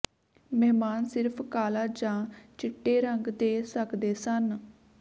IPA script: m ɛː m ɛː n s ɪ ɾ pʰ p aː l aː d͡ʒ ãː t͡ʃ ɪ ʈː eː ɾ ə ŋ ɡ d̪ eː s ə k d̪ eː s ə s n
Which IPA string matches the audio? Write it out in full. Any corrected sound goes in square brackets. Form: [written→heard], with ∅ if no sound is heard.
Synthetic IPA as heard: m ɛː m [ɛː→aː] n s ɪ ɾ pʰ [p→k] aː l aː d͡ʒ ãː t͡ʃ ɪ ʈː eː ɾ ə ŋ ɡ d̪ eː s ə k d̪ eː s ə [s→∅] n